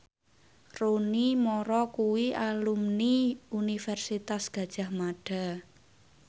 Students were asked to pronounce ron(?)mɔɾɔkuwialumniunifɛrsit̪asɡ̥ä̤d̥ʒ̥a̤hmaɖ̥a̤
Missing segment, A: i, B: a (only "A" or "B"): A